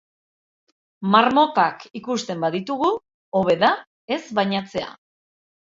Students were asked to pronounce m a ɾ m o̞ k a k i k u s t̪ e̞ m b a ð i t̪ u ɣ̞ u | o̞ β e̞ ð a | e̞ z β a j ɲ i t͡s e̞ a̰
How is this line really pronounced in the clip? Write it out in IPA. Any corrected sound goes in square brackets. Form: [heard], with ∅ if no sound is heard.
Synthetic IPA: m a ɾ m o̞ k a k i k u s t̪ e̞ m b a ð i t̪ u ɣ̞ u | o̞ β e̞ ð a | e̞ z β a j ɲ [a] t͡s e̞ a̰